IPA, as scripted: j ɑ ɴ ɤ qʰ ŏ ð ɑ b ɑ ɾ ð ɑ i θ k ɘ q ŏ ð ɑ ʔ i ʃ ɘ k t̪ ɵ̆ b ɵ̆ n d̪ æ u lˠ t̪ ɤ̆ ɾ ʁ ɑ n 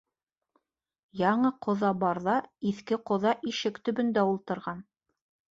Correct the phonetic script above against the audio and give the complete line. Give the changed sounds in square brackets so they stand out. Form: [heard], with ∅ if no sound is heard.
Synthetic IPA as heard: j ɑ ɴ ɤ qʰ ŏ ð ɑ b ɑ ɾ ð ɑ i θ k ɘ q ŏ ð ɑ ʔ i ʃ ɘ k t̪ ɵ̆ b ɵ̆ n d̪ æ u lˠ t̪ ɤ̆ ɾ ʁ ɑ n